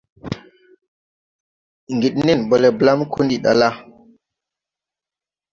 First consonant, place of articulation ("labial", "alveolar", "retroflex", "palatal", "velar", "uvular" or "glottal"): velar